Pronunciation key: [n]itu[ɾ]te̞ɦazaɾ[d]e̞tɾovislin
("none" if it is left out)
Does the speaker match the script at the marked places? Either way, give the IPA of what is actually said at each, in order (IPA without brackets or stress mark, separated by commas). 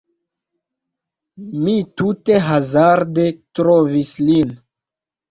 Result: m, none, d